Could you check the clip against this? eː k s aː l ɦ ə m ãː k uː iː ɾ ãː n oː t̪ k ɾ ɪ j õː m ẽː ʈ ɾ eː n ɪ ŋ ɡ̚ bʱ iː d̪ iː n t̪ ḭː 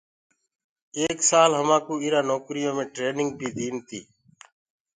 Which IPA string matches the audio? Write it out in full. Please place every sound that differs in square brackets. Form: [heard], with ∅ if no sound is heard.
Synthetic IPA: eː k s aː l ɦ ə m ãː k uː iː ɾ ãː n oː [∅] k ɾ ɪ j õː m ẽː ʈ ɾ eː n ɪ ŋ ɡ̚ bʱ iː d̪ iː n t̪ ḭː